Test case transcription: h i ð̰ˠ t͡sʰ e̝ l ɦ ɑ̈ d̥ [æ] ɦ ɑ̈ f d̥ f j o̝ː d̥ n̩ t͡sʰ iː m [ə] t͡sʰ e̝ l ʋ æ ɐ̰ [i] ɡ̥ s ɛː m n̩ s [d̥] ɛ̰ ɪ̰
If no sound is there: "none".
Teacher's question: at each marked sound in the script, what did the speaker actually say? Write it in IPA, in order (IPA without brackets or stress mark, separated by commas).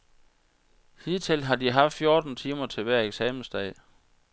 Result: i, ɐ, e, d̥